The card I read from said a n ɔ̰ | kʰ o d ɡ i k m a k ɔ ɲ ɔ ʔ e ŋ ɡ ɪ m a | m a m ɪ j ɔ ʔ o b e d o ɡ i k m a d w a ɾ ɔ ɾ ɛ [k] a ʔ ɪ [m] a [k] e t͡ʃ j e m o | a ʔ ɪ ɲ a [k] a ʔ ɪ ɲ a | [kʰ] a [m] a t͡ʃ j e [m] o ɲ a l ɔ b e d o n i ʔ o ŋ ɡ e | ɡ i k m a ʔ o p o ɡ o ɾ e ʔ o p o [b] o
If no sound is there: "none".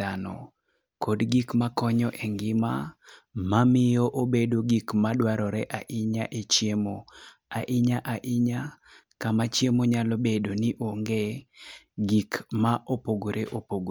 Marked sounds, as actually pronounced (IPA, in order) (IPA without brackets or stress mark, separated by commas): ʔ, ɲ, ʔ, ʔ, k, m, m, ɡ